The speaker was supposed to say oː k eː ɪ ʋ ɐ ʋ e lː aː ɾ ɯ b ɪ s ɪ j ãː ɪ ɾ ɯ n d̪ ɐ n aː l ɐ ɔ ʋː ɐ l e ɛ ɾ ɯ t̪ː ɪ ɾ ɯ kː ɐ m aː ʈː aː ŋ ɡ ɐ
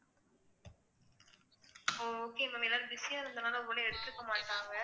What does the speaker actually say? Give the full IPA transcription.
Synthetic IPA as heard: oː k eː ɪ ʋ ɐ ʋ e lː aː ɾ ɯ b ɪ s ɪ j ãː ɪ ɾ ɯ n d̪ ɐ n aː l ɐ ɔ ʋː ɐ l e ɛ ɽ ɯ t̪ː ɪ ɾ ɯ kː ɐ m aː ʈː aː ŋ ɡ ɐ